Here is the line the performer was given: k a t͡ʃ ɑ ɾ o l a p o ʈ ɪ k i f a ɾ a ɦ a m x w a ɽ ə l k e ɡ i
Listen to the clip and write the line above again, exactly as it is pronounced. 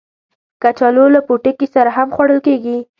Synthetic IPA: k a t͡ʃ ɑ l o l a p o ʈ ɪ k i s a ɾ a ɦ a m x w a ɽ ə l k e ɡ i